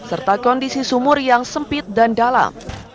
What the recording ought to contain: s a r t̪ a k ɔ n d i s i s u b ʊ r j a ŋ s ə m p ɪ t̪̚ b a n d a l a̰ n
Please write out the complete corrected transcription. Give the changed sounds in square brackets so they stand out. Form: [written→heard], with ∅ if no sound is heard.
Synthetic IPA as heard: s [a→ə] r t̪ a k ɔ n d i s i s u [b→m] ʊ r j a ŋ s ə m p ɪ t̪̚ [b→d] a n d a l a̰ [n→m]